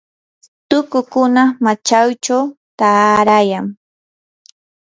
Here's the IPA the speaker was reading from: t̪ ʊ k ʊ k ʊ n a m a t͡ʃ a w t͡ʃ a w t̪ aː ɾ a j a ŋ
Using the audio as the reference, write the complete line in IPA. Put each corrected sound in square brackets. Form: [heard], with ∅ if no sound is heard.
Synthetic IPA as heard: t̪ ʊ k ʊ k ʊ n a m a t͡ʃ a w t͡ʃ a w t̪ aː ɾ a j a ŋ